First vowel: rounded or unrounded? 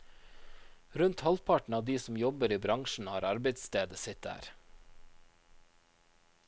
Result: rounded